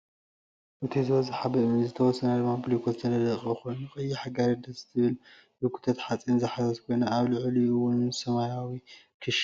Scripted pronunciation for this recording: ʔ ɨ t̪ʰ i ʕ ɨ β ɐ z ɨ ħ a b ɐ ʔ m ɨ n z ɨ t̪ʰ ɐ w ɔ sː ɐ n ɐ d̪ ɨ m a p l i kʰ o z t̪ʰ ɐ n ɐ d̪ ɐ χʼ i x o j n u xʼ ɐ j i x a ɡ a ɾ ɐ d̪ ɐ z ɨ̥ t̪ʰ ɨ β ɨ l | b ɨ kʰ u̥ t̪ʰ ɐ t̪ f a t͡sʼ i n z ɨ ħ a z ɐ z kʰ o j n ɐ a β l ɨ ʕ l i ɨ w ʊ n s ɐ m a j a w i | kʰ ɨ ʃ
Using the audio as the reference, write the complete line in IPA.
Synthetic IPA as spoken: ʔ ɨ t̪ʰ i z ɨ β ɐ z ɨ ħ a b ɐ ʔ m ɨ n z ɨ t̪ʰ ɐ w ɔ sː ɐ n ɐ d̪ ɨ m a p l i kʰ o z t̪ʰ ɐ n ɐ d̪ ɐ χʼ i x o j n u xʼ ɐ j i ħ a ɡ a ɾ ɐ d̪ ɐ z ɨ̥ t̪ʰ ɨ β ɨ l | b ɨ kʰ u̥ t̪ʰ ɐ t̪ ħ a t͡sʼ i n z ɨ ħ a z ɐ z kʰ o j n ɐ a β l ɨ ʕ l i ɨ w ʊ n s ɐ m a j a w i | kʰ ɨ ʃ